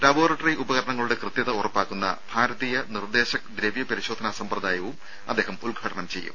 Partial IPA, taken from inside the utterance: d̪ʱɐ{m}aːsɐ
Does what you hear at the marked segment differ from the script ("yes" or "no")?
yes